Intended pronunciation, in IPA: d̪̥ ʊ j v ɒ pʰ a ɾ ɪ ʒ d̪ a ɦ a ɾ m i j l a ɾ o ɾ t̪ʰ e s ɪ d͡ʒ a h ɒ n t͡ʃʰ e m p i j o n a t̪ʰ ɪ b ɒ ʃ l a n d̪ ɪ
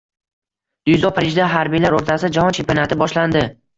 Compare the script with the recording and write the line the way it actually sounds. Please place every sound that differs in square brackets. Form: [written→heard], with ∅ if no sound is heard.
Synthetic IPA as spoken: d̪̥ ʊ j [v→z] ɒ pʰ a ɾ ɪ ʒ d̪ a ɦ a ɾ [m→b] i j l a ɾ o ɾ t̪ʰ [e→a] s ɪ d͡ʒ a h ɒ n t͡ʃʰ e m p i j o n a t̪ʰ ɪ b ɒ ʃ l a n d̪ ɪ